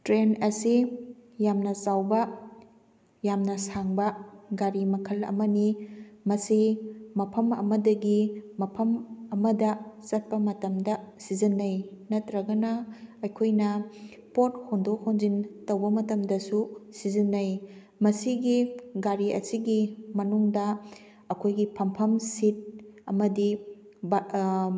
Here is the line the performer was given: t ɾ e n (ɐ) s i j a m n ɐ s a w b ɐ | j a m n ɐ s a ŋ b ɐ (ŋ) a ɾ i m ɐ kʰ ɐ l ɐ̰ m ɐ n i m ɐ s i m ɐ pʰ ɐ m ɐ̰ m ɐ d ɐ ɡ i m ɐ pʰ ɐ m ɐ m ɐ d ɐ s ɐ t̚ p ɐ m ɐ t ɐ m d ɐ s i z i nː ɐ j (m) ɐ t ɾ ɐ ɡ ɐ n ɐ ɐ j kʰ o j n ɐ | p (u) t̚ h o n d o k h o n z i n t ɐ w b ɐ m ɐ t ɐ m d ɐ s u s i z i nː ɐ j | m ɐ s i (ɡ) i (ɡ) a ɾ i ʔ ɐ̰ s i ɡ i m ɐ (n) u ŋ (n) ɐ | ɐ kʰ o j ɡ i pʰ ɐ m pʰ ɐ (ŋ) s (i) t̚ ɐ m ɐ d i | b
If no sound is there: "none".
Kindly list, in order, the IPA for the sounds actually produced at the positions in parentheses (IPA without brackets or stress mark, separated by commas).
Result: ɐ, ɡ, n, o, ɡ, ɡ, n, d, m, i